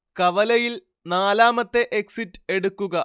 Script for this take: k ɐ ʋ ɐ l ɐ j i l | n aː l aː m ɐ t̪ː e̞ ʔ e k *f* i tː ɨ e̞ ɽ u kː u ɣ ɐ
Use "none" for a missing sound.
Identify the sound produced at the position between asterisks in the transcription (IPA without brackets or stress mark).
s